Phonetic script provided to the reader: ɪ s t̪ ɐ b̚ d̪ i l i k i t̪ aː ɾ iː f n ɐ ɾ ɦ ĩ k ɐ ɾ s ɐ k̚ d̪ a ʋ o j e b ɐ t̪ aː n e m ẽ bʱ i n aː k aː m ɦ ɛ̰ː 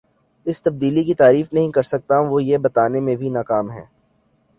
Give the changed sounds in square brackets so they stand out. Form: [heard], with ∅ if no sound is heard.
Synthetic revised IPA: ɪ s t̪ ɐ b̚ d̪ [iː] l i k i t̪ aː ɾ iː f n ɐ [∅] ɦ ĩ k ɐ ɾ s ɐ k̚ [t̪] a ʋ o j e b ɐ t̪ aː n e m ẽ bʱ i n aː k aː m ɦ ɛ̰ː